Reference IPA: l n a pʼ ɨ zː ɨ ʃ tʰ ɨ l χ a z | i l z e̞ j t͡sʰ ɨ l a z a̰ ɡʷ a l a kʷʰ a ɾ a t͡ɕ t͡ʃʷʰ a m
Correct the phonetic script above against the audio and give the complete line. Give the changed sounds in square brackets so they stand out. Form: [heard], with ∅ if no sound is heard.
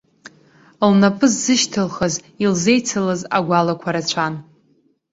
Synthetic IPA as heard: l n a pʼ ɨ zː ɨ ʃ tʰ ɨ l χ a z | i l z e̞ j t͡sʰ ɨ l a z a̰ ɡʷ a l a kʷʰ a ɾ a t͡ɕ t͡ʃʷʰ a [n]